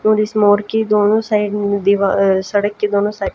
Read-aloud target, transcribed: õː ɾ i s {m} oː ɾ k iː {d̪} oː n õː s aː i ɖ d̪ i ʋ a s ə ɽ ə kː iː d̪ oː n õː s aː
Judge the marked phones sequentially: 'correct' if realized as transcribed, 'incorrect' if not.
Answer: correct, correct

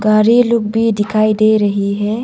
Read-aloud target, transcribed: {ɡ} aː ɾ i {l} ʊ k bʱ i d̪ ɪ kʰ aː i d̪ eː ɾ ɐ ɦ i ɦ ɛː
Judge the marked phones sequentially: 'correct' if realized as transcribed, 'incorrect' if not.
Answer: correct, correct

